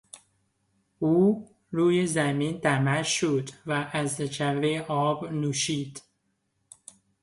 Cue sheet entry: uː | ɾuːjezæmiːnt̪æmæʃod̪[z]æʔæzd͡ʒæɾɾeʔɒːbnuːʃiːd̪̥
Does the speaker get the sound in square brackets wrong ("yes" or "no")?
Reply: yes